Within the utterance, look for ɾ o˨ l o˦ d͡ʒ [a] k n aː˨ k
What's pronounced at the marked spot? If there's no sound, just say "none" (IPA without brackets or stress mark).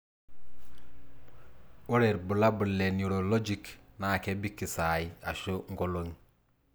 i